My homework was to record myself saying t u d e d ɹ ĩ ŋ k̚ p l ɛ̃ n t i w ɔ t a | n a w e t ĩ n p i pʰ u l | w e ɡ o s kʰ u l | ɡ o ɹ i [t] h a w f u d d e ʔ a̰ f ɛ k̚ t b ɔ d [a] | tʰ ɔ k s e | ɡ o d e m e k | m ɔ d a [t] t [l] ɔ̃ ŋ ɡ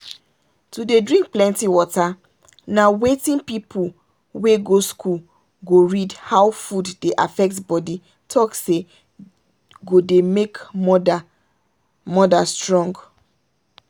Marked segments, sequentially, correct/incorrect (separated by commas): incorrect, incorrect, incorrect, incorrect